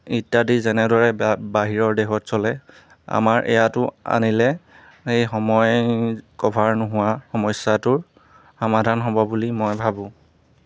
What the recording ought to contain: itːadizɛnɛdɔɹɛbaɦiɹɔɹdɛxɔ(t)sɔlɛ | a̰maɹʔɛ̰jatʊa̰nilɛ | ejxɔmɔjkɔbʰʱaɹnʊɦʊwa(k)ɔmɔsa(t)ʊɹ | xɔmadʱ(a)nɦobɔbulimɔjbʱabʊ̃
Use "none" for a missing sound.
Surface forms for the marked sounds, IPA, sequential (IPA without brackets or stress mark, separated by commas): t, x, t, a